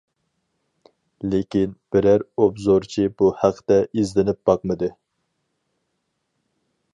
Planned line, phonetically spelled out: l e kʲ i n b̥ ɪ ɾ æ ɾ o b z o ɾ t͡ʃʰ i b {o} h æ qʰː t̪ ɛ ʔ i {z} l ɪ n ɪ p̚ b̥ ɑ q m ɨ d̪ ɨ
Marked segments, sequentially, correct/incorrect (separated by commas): incorrect, correct